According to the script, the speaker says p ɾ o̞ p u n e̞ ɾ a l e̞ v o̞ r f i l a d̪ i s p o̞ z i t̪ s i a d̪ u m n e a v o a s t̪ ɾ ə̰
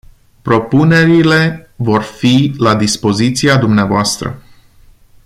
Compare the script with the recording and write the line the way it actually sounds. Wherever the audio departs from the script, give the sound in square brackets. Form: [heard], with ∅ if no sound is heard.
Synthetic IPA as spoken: p ɾ o̞ p u n e̞ ɾ [i] l e̞ v o̞ r f i l a d̪ i s p o̞ z i t̪ s i a d̪ u m n e a v o a s t̪ ɾ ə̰

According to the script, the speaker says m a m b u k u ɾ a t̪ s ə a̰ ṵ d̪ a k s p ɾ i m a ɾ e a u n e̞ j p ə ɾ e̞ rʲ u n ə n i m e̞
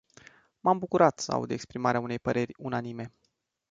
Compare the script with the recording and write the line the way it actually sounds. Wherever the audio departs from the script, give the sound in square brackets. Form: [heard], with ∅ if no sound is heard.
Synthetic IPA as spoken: m a m b u k u ɾ a t̪ s ə a̰ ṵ d̪ [e] k s p ɾ i m a ɾ e a u n e̞ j p ə ɾ e̞ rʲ u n [a] n i m e̞

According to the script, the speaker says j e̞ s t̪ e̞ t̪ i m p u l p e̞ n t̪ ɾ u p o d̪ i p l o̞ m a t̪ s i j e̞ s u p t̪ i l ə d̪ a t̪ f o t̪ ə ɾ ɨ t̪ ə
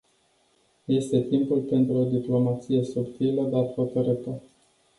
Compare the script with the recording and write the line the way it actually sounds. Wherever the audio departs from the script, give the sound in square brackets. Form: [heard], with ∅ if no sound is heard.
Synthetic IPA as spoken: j e̞ s t̪ e̞ t̪ i m p u l p e̞ n t̪ ɾ u [∅] o d̪ i p l o̞ m a t̪ s i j e̞ s u p t̪ i l ə d̪ a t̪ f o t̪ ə ɾ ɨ t̪ ə

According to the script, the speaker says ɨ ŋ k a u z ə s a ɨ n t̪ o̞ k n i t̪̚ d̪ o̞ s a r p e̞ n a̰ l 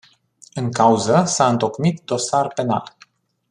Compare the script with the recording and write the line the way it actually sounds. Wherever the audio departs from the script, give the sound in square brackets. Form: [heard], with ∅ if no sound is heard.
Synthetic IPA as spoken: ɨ ŋ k a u z ə s a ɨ n t̪ o̞ k [m] i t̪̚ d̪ o̞ s a r p e̞ n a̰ l

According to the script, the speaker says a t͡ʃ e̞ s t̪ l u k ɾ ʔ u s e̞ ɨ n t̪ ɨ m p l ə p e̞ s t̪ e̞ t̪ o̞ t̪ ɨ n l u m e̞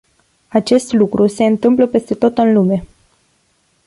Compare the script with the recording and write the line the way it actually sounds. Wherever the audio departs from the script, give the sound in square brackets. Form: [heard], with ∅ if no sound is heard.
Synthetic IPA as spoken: a t͡ʃ e̞ s t̪ l u k ɾ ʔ u s e̞ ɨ n t̪ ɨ m p l ə p e̞ s t̪ e̞ t̪ o̞ t̪ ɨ n l u m e̞

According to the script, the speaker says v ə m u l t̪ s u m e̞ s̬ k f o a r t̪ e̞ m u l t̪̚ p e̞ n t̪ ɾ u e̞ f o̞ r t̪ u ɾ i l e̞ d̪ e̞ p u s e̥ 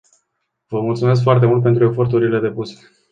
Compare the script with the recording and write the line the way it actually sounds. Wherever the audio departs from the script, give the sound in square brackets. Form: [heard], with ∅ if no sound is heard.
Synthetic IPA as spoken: v ə m u l t̪ s u m e̞ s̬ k f o a r t̪ e̞ m u l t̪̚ p e̞ n t̪ ɾ u e̞ f o̞ r t̪ u ɾ i l e̞ d̪ e̞ p u s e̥

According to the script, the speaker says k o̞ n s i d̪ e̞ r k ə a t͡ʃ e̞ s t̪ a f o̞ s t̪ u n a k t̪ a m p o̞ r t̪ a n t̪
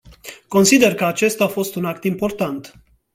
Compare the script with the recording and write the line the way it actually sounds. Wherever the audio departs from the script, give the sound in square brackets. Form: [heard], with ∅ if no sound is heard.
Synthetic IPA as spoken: k o̞ n s i d̪ e̞ r k ə a t͡ʃ e̞ s t̪ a f o̞ s t̪ u n a k t̪ [i] m p o̞ r t̪ a n t̪

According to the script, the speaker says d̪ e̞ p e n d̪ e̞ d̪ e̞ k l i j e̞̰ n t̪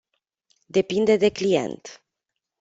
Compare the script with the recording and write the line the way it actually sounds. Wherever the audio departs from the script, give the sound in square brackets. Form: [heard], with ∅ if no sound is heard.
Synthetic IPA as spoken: d̪ e̞ p [i] n d̪ e̞ d̪ e̞ k l i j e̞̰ n t̪

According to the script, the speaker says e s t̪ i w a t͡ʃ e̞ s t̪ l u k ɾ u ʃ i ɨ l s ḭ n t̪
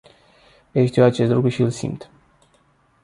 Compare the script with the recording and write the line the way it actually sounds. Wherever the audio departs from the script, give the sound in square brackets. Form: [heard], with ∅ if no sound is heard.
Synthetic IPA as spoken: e [ʃ] t̪ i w a t͡ʃ e̞ s t̪ l u k ɾ u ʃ i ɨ l s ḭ [m] t̪

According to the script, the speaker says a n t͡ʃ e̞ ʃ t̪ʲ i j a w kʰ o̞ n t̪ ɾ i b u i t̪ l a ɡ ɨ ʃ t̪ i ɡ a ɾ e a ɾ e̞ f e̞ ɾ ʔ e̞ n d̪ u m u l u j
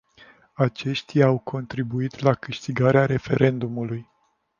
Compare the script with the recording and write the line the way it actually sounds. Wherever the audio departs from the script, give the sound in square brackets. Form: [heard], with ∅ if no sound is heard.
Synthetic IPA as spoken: a [∅] t͡ʃ e̞ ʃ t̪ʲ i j a w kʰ o̞ n t̪ ɾ i b u i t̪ l a [k] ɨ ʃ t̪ i ɡ a ɾ e a ɾ e̞ f e̞ ɾ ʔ e̞ n d̪ u m u l u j

